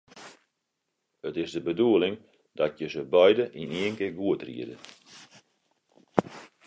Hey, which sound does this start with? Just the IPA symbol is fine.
ə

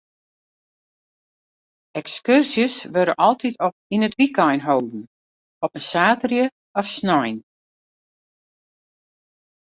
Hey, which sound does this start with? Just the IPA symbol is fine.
ɛ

